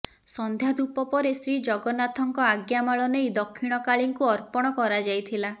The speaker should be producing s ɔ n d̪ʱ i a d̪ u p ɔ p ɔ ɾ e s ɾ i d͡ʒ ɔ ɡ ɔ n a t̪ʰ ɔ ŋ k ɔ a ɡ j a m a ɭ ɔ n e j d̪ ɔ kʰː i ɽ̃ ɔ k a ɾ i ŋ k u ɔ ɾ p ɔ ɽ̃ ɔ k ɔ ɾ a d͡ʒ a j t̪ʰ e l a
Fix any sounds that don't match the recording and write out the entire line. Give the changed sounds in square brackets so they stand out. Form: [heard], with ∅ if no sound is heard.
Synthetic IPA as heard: s ɔ n d̪ʱ [j] a d̪ u p ɔ p ɔ ɾ e s ɾ i d͡ʒ ɔ ɡ ɔ n a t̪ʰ ɔ ŋ k ɔ a ɡ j a m a ɭ ɔ n e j d̪ ɔ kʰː i ɽ̃ ɔ k a [ɭ] i ŋ k u ɔ ɾ p ɔ ɽ̃ ɔ k ɔ ɾ a d͡ʒ a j t̪ʰ [i] l a

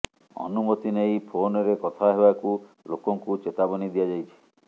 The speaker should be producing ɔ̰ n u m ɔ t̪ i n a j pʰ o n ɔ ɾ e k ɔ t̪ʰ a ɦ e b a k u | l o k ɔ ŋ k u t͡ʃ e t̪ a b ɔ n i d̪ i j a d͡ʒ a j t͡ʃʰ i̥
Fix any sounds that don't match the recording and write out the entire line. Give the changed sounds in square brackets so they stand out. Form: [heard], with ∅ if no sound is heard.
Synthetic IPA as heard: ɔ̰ n u m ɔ t̪ i n [e] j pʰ o n ɔ ɾ e k ɔ t̪ʰ a ɦ e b a k u | l o k ɔ ŋ k u t͡ʃ e t̪ a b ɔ n i d̪ i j a d͡ʒ a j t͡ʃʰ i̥

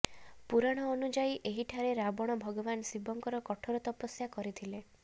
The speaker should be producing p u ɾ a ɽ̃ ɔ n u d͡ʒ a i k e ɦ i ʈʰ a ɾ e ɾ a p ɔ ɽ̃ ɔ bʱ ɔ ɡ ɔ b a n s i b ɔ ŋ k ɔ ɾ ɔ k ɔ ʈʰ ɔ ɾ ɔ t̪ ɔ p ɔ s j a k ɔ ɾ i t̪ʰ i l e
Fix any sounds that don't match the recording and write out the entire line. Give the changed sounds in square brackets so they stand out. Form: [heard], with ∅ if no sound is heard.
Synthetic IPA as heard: p u ɾ a ɽ̃ [ɔː] n u d͡ʒ a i [ʔ] e ɦ i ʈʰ a ɾ e ɾ a [b] ɔ ɽ̃ ɔ bʱ ɔ ɡ ɔ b a n s i b ɔ ŋ k ɔ ɾ ɔ k ɔ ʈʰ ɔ ɾ ɔ t̪ ɔ p ɔ s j a k ɔ ɾ i t̪ʰ i l e

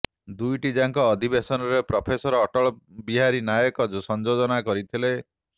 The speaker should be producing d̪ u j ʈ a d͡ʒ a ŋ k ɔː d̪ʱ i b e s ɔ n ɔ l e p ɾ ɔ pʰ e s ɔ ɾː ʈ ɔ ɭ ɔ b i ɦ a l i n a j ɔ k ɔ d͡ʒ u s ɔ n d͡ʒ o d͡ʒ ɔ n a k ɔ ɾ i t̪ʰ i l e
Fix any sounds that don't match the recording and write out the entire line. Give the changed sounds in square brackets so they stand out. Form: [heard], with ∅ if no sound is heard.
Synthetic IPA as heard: d̪ u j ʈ [i] d͡ʒ a ŋ k ɔː d̪ʱ i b e s ɔ n ɔ [ɾ] e p ɾ ɔ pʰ e s ɔ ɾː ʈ ɔ ɭ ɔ b i ɦ a [ɾ] i n a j ɔ k ɔ d͡ʒ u s ɔ n d͡ʒ o d͡ʒ ɔ n a k ɔ ɾ i t̪ʰ i l e

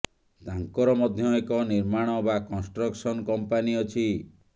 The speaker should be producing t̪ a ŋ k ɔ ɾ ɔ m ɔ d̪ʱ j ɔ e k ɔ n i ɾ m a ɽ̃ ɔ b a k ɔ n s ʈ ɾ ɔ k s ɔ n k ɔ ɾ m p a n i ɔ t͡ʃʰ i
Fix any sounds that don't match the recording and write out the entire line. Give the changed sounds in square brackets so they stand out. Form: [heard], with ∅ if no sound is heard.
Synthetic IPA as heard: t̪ a ŋ k ɔ ɾ ɔ m ɔ d̪ʱ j ɔ e k ɔ n i ɾ m a ɽ̃ ɔ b a k ɔ n s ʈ ɾ ɔ k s ɔ n k ɔ [∅] m p a n i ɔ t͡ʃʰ i

